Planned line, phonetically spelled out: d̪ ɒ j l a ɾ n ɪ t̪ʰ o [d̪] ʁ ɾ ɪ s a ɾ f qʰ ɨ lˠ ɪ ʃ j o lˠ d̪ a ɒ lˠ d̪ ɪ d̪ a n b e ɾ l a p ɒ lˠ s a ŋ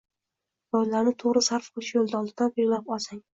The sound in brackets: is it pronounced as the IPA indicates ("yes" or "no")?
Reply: no